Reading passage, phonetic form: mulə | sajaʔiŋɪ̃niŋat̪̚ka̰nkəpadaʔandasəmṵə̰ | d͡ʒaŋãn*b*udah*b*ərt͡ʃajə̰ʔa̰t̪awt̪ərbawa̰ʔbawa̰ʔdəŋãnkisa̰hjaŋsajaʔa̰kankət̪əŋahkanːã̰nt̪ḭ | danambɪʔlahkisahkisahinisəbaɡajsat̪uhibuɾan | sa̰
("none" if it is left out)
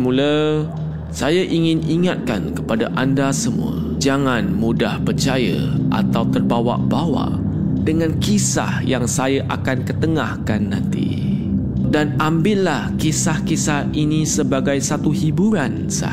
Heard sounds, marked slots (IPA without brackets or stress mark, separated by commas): m, p